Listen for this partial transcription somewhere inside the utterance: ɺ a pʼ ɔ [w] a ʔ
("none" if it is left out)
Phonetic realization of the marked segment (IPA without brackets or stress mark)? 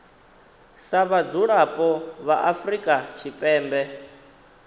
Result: β